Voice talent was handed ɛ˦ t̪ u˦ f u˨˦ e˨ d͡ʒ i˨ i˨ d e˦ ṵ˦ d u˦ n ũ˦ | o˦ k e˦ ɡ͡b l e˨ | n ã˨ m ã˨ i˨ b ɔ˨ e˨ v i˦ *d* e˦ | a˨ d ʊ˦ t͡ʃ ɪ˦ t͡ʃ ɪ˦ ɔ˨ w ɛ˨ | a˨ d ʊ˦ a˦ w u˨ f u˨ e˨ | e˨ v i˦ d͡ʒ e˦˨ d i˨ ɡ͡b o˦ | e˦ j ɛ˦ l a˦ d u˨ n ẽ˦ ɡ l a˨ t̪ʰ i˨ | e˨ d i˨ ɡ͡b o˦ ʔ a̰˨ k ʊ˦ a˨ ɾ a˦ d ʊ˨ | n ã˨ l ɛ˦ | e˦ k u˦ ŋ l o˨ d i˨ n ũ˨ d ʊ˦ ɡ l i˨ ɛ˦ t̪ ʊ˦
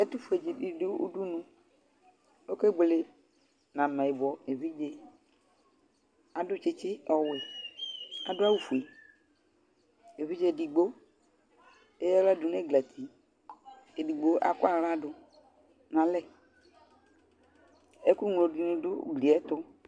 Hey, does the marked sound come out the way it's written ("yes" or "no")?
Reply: no